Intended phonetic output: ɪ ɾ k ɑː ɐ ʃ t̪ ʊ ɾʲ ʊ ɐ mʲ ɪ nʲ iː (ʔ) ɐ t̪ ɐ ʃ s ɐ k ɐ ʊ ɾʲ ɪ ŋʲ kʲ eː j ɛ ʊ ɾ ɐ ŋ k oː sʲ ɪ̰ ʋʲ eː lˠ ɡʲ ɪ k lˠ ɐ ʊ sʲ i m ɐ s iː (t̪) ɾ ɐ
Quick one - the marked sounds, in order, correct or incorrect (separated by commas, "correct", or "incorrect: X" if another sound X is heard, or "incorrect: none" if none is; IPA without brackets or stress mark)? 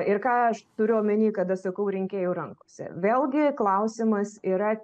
incorrect: k, incorrect: none